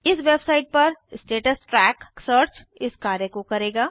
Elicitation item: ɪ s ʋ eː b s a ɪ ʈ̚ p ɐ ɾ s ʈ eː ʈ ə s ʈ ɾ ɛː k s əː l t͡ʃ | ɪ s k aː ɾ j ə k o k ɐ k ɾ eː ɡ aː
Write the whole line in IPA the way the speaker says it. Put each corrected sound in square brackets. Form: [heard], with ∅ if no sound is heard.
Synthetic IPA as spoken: ɪ s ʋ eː b s a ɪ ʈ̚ p ɐ ɾ s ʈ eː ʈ ə s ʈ ɾ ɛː k s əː [ɾ] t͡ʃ | ɪ s k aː ɾ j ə k o k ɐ [∅] ɾ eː ɡ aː